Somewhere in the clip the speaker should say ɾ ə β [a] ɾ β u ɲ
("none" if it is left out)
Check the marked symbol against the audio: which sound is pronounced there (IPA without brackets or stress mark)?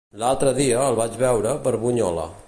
ə